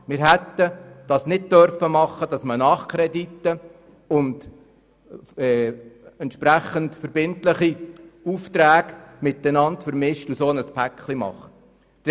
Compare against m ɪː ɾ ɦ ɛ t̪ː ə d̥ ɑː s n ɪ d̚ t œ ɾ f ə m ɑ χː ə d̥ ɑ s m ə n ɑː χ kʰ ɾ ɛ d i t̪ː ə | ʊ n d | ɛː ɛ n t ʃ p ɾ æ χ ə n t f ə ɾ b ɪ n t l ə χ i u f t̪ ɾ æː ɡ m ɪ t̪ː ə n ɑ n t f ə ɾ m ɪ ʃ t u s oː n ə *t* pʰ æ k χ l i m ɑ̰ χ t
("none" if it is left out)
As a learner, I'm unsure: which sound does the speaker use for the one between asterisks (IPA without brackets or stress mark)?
s